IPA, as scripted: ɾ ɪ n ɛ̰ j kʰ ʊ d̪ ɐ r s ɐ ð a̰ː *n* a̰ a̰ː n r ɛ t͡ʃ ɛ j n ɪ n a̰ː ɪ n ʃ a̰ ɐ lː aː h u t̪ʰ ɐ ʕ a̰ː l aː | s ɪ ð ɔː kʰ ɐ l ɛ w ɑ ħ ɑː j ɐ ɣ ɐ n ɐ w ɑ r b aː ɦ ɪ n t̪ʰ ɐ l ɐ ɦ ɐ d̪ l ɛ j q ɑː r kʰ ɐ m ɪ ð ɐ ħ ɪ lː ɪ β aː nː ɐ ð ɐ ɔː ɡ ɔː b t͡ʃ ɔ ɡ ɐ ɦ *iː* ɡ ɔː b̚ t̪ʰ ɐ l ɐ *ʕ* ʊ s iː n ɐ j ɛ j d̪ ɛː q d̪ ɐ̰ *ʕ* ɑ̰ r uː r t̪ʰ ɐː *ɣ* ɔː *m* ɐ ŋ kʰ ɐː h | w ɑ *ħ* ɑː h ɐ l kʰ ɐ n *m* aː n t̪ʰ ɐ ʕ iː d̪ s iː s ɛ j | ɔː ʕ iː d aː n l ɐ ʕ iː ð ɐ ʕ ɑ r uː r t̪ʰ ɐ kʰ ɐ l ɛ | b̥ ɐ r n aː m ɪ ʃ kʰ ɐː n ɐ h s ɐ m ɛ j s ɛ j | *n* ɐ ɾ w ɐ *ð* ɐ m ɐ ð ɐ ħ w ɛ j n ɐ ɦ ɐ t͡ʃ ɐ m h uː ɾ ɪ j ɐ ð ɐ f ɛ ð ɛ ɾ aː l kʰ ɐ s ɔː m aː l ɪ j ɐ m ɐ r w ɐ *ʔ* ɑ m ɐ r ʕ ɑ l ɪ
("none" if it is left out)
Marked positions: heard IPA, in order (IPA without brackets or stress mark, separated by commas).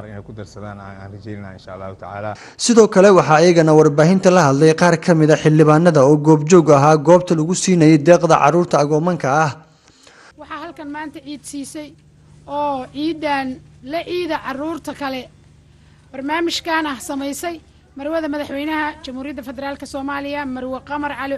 n, aː, ɣ, ʕ, ɣ, m, ħ, m, m, ð, q